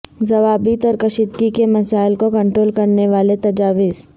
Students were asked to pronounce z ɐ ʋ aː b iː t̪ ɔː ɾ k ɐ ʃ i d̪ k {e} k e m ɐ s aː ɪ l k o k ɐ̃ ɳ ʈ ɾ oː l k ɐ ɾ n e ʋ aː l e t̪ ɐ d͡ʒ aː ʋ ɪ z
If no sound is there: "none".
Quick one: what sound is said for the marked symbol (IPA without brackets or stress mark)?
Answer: i